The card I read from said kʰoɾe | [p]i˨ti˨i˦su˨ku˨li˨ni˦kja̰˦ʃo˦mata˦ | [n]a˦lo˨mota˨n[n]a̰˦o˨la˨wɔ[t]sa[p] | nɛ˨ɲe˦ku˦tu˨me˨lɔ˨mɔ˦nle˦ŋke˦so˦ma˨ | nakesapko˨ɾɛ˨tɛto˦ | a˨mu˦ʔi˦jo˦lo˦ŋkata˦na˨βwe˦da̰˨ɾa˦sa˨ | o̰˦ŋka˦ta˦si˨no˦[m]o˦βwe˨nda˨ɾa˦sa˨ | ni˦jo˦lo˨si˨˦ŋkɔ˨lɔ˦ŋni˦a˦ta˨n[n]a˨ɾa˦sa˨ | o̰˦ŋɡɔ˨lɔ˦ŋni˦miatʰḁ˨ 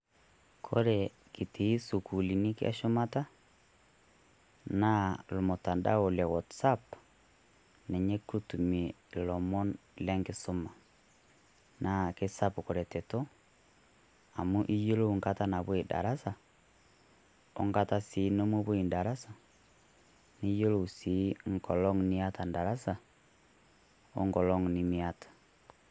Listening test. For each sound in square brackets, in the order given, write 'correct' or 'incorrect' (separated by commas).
incorrect, correct, incorrect, correct, correct, correct, incorrect